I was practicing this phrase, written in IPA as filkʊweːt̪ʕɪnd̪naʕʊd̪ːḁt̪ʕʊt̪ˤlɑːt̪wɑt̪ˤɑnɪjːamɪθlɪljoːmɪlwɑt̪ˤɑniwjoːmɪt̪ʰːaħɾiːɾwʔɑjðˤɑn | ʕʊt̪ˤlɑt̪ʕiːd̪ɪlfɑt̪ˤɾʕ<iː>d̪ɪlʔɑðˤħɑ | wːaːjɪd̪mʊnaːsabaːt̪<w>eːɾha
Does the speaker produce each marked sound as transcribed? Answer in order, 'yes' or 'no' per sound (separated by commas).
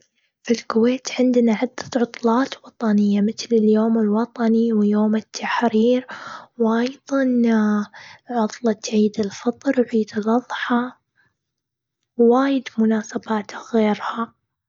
yes, no